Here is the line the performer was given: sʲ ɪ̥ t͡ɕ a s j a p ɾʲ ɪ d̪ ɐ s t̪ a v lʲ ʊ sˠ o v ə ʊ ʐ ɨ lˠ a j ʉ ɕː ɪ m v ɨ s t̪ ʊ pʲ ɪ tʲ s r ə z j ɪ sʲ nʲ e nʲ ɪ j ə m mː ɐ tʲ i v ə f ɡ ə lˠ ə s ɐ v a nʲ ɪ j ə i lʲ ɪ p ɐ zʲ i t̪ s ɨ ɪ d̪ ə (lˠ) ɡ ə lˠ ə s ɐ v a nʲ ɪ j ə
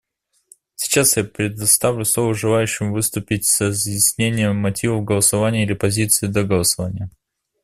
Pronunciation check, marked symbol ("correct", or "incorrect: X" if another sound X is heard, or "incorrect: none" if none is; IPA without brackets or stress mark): incorrect: none